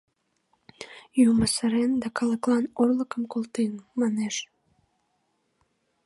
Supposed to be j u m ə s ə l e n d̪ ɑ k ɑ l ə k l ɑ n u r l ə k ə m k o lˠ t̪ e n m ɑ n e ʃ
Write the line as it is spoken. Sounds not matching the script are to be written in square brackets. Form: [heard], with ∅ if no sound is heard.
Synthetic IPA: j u m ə s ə [ɾ] e n d̪ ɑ k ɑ l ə k l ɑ n [o] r l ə k ə m k o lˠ t̪ e n m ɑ n e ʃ